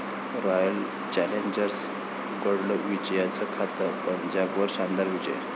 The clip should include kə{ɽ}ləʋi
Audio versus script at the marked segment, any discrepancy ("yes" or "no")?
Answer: no